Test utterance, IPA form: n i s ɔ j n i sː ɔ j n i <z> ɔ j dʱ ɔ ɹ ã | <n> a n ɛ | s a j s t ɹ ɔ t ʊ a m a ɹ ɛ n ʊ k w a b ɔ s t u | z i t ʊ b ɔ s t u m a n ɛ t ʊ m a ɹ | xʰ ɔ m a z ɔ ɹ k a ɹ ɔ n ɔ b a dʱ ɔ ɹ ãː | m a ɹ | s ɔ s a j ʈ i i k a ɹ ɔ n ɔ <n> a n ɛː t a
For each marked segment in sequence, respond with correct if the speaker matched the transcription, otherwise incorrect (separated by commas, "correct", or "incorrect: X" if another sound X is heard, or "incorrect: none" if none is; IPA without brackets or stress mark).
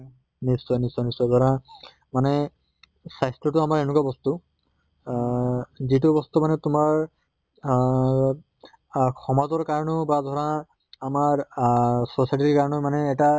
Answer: incorrect: s, incorrect: m, incorrect: m